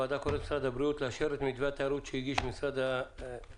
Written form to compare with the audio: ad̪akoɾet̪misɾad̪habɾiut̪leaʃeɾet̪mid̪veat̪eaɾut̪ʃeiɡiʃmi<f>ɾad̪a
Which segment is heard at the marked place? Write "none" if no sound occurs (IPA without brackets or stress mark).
s